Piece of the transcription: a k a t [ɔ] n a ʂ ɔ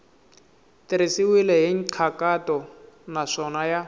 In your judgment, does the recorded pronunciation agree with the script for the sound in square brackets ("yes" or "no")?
yes